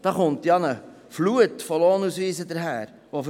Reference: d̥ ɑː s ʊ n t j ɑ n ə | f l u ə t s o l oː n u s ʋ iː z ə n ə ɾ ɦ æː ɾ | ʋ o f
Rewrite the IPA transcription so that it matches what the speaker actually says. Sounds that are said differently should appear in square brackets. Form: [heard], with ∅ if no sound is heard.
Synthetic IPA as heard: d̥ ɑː [χ] ʊ n t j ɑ n ə | f l u ə t [f] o l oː n u s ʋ iː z ə [d] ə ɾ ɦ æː ɾ | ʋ o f